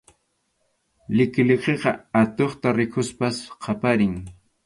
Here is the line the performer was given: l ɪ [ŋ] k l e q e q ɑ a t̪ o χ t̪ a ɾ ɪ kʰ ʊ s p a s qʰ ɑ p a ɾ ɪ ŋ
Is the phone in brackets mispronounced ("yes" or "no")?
yes